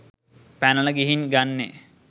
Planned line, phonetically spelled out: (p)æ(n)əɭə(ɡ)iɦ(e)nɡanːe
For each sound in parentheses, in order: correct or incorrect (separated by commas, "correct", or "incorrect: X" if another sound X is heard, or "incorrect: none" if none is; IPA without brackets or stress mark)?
correct, correct, correct, incorrect: i